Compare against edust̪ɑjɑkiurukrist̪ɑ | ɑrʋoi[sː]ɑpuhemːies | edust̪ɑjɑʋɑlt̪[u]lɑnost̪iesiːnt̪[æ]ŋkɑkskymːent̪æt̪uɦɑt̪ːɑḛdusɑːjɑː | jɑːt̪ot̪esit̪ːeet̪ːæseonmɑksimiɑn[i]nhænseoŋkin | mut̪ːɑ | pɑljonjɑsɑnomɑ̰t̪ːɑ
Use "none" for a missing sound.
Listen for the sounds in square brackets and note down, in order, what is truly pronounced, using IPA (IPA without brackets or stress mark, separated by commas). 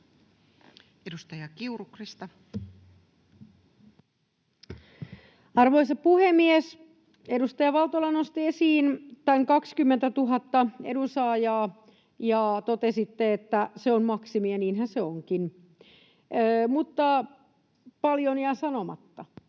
s, o, æ, iː